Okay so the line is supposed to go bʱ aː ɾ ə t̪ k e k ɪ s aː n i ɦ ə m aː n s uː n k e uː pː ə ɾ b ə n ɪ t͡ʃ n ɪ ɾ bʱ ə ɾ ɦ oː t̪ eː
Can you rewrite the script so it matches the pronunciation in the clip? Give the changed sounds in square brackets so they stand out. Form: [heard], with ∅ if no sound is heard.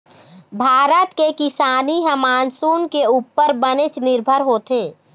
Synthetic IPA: bʱ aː ɾ ə t̪ k e k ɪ s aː n i ɦ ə m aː n s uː n k e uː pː ə ɾ b ə n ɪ t͡ʃ n ɪ ɾ bʱ ə ɾ ɦ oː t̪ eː